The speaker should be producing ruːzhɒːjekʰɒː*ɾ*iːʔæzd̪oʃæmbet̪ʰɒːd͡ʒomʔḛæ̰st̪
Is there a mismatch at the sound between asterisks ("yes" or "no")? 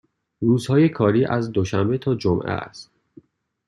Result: no